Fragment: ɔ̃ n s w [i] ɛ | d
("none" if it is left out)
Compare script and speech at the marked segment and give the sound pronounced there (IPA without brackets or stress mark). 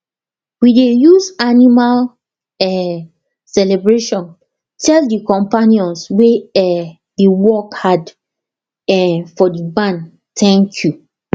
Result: e